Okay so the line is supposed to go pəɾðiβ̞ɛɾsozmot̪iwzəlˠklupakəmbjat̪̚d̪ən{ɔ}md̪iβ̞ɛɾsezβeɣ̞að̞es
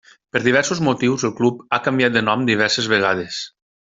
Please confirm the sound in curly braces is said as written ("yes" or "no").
yes